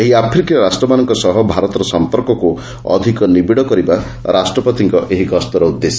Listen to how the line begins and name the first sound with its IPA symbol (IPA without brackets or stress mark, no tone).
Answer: e